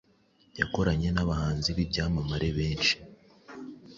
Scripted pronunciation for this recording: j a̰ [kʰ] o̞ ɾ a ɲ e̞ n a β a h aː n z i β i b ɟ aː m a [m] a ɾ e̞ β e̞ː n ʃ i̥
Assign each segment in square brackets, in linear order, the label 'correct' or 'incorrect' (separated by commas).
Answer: incorrect, correct